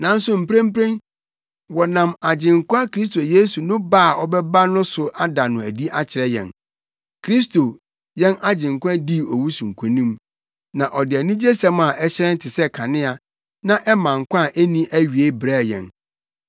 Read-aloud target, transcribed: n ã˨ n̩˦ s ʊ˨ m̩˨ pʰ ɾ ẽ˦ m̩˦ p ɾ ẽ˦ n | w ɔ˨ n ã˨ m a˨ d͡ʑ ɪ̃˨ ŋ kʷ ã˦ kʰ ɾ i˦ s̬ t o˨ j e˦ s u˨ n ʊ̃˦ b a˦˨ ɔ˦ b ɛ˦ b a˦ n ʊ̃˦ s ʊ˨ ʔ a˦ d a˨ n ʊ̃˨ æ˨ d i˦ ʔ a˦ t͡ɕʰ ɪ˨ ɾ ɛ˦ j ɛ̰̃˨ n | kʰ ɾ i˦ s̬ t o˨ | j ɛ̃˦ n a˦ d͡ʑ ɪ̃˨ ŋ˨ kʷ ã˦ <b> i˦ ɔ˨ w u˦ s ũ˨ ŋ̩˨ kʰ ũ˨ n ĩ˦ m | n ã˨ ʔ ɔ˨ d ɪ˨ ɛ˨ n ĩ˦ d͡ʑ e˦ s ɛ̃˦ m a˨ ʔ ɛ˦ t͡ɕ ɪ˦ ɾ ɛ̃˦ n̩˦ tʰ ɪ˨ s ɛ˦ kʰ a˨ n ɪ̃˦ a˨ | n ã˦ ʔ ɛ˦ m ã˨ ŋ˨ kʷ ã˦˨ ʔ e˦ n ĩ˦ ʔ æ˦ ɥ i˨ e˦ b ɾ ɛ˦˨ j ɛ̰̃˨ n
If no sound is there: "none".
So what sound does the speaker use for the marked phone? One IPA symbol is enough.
d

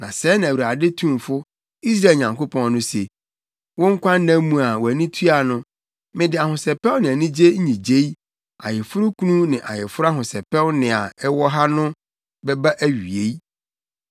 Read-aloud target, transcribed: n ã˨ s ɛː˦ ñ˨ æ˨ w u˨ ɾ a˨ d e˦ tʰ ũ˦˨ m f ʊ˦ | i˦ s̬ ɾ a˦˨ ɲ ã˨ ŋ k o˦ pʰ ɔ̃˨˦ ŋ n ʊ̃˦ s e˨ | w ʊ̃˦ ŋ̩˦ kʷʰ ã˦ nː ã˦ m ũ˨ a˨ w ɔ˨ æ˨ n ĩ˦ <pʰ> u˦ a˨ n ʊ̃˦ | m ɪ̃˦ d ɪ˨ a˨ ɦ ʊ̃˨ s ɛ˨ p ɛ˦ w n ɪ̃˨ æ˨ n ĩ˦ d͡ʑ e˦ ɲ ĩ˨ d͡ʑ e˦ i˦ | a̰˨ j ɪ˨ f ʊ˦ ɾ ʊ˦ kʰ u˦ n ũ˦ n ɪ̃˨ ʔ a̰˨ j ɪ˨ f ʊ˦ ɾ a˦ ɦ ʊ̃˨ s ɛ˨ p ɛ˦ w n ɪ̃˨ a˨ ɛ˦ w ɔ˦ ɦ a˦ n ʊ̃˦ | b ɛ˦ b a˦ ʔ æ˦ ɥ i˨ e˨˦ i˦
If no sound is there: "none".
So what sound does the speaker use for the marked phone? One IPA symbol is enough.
tʰ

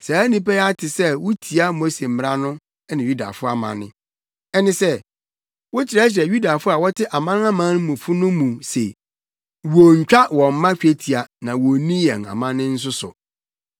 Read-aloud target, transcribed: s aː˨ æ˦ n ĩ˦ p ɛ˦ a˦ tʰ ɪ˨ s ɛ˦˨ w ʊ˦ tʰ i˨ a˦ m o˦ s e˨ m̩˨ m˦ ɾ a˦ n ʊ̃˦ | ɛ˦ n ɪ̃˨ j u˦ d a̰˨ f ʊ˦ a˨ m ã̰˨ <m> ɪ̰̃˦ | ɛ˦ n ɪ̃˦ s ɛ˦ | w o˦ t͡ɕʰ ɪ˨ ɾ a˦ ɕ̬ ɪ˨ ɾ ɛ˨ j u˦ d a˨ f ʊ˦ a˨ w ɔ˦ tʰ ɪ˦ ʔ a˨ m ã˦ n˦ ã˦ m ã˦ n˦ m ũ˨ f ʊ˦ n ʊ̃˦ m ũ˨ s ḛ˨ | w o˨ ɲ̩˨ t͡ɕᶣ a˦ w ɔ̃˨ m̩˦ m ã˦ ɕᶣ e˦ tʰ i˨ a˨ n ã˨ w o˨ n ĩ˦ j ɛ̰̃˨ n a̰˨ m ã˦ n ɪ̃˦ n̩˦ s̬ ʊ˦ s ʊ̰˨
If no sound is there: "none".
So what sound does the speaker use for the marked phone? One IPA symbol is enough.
n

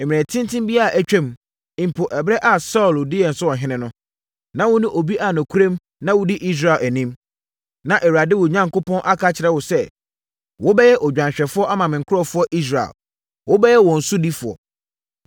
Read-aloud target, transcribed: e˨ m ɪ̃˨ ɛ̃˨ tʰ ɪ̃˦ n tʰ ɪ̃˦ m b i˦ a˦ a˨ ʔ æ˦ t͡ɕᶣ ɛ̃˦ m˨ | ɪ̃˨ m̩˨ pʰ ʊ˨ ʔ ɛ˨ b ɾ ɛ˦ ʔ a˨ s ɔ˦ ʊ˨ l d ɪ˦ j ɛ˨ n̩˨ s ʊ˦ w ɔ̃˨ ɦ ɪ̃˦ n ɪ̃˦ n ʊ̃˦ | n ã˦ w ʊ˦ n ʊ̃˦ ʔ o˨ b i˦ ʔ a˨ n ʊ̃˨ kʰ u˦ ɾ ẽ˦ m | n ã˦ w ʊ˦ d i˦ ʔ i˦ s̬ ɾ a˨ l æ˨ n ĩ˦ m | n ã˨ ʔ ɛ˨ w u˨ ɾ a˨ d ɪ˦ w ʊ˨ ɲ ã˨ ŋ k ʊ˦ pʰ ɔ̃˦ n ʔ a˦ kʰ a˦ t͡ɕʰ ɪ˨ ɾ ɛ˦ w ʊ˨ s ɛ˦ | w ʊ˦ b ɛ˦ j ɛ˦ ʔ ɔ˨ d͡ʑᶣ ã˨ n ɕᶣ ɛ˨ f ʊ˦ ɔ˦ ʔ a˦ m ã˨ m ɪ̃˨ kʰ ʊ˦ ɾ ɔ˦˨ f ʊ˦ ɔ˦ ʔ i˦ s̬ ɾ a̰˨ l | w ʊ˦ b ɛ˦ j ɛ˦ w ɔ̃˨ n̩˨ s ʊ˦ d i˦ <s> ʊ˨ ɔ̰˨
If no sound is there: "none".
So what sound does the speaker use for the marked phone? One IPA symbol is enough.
f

